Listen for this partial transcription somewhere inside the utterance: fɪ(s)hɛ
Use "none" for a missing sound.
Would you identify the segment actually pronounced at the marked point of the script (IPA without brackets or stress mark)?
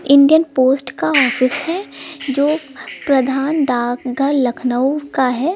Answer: s